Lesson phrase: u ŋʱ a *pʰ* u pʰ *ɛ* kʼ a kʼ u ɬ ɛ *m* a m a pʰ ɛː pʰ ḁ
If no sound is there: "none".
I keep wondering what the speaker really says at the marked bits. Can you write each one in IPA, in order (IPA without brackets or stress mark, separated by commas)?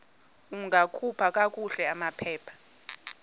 kʰ, a, none